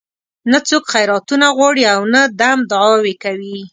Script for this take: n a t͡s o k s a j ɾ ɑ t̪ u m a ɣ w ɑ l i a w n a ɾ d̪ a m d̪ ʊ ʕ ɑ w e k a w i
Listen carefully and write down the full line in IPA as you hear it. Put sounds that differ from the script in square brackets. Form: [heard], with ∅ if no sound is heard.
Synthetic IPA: n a t͡s o k [x] a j ɾ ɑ t̪ u [n] a ɣ w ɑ [ɽ] i a w n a [∅] d̪ a m d̪ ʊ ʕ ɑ w e k a w i